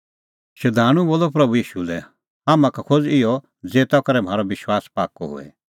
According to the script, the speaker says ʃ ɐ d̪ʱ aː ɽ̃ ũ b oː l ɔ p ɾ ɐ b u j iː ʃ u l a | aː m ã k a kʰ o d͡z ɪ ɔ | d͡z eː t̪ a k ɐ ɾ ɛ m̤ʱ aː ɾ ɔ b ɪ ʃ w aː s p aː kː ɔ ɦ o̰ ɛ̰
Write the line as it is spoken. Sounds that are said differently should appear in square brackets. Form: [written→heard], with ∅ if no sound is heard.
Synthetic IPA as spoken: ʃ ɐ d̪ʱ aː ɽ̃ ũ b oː l ɔ p ɾ ɐ b u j iː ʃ u l [a→ɛ] | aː m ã k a kʰ o d͡z ɪ ɔ | d͡z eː t̪ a k ɐ ɾ ɛ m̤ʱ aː ɾ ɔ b ɪ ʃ w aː s p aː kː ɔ ɦ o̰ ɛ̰